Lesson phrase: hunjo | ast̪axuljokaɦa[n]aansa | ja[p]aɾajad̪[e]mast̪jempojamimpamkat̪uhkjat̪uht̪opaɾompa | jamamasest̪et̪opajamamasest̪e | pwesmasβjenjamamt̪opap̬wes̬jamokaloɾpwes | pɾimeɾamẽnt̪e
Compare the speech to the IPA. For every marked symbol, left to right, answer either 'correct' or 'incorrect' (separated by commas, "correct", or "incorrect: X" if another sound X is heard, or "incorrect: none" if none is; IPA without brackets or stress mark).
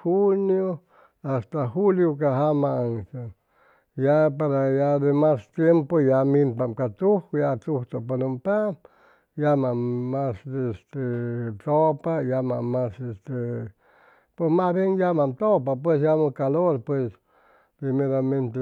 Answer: incorrect: m, correct, correct